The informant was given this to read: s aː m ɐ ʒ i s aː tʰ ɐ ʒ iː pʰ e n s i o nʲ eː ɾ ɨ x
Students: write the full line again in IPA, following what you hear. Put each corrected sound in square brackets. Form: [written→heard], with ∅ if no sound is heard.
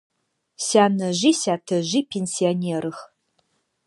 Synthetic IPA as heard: s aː [m→n] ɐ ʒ i s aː tʰ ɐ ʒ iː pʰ e n s i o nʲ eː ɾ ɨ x